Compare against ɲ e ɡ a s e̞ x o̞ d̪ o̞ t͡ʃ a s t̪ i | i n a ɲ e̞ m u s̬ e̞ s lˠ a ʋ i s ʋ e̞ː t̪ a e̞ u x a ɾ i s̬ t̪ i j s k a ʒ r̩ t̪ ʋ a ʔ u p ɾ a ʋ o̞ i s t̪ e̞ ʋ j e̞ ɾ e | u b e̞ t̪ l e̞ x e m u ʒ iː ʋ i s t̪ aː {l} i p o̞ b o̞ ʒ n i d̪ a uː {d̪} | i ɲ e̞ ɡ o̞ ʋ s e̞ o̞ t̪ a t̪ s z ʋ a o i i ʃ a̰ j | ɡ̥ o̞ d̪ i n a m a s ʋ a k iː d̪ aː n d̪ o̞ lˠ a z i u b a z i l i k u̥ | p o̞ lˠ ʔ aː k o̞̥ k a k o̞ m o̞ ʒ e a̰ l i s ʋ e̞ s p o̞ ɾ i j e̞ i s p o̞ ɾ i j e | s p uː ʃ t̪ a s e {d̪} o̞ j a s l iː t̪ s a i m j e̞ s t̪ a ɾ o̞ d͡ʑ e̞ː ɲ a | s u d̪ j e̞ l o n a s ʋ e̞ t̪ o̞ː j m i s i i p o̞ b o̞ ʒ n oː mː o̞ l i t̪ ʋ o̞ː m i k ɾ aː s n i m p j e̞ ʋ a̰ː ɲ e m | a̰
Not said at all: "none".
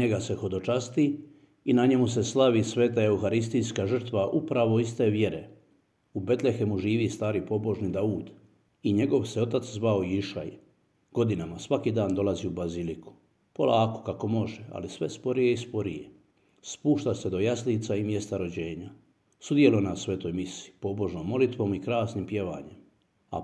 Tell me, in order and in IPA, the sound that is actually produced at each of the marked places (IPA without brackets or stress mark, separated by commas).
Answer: ɾ, d̪, d̪